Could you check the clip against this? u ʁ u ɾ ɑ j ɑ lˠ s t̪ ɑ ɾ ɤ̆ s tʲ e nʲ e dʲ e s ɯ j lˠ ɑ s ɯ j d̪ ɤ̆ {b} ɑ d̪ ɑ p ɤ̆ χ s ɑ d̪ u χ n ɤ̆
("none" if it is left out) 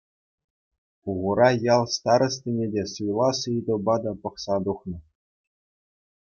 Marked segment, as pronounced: b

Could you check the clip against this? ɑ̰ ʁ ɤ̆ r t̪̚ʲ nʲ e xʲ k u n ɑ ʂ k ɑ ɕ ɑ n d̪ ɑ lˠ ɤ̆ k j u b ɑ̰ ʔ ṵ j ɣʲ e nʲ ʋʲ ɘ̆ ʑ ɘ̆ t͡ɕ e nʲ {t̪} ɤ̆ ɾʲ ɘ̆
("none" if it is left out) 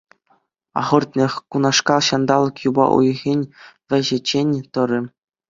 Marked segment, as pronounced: t̪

